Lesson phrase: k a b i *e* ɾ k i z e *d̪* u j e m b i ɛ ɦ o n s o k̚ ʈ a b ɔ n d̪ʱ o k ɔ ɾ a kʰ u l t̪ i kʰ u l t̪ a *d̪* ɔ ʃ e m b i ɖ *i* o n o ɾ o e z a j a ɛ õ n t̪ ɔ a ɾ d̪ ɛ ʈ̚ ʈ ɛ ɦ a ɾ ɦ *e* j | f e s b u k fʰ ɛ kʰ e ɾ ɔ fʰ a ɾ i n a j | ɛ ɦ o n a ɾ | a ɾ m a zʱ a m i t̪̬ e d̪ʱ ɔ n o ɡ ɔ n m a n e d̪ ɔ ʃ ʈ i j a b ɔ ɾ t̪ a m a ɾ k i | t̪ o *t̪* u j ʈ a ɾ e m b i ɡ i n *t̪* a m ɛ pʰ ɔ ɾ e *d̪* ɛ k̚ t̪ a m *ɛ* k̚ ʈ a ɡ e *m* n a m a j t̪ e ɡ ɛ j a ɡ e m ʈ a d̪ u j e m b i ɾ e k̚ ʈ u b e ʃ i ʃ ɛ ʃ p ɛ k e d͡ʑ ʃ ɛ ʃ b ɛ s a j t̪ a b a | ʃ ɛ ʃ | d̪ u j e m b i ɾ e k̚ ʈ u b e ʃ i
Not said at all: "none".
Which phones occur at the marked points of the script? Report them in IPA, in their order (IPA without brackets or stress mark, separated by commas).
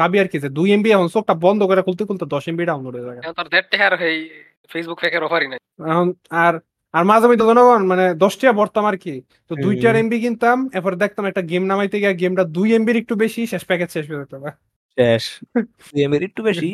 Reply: a, d̪, d̪, a, e, d̪, t̪, d̪, ɛ, m